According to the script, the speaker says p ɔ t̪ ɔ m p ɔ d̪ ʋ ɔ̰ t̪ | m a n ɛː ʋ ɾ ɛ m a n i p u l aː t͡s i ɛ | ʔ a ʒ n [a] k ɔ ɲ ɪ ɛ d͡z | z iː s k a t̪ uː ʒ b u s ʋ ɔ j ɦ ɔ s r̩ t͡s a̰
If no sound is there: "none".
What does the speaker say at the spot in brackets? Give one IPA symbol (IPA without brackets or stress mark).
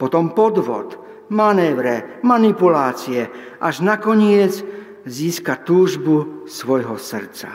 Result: a